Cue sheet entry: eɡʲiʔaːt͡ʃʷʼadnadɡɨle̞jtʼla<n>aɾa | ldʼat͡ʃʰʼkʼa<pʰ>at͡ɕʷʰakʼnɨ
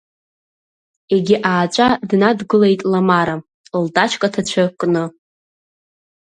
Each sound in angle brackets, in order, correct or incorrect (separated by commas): incorrect, incorrect